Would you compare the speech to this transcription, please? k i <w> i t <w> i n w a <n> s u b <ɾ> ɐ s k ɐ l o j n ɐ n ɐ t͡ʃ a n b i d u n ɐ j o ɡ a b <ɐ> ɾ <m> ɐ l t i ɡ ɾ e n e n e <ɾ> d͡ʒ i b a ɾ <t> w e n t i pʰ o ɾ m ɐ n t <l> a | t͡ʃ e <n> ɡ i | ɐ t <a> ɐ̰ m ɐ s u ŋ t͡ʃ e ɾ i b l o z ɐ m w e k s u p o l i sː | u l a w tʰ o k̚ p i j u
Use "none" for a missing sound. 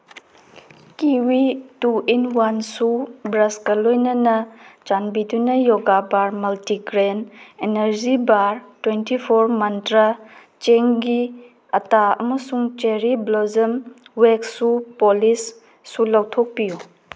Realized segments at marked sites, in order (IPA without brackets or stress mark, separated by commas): w, u, n, ɾ, a, m, ɾ, t, ɾ, ŋ, a